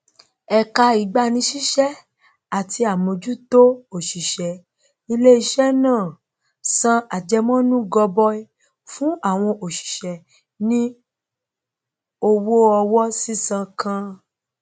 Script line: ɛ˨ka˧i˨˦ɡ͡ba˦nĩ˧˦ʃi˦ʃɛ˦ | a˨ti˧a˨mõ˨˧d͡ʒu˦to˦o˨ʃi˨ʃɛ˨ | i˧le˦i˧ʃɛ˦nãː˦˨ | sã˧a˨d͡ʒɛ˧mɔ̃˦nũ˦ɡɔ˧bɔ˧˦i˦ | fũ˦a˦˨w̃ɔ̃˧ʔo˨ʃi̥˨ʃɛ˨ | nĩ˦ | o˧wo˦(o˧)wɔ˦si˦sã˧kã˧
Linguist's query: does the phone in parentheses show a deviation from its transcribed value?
yes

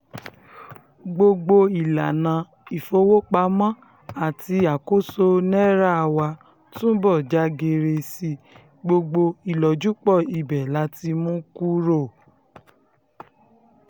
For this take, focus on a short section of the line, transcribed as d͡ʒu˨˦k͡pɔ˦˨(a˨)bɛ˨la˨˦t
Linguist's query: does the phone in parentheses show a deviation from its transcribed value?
yes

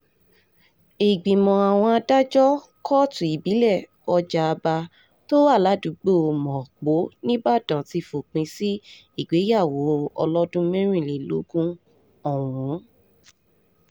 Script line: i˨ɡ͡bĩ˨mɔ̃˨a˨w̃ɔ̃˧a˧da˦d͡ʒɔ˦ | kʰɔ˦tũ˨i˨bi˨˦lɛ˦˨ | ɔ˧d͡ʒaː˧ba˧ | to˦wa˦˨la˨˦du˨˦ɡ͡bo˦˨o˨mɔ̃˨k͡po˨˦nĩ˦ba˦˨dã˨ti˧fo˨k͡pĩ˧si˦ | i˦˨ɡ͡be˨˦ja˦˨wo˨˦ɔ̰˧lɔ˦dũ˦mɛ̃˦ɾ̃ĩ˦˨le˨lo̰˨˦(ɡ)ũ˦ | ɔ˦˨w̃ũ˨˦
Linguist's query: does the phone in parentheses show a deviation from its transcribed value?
no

